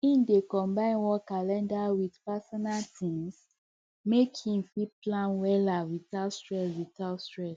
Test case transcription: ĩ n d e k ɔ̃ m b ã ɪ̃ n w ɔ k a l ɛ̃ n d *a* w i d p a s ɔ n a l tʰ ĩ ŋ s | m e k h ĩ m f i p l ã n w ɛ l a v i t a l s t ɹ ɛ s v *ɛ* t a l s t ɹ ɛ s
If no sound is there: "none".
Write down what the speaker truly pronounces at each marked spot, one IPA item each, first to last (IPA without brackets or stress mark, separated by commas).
a, i